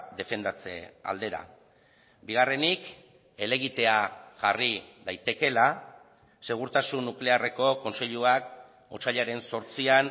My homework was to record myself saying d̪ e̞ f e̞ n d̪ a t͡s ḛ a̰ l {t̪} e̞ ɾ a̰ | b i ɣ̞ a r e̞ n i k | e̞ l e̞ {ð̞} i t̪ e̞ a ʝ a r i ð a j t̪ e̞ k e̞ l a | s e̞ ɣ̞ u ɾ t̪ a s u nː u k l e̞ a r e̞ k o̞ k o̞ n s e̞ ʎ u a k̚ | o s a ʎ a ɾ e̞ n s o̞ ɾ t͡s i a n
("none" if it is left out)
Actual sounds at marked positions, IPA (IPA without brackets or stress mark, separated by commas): d̪, ɣ̞